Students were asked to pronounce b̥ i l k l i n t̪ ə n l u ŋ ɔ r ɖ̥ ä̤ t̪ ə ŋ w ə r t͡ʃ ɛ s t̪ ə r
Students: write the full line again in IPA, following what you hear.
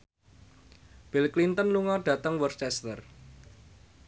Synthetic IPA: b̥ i l k l i n t̪ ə n l u ŋ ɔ r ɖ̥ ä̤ t̪ ə ŋ w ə r t͡ʃ ɛ s t̪ ə r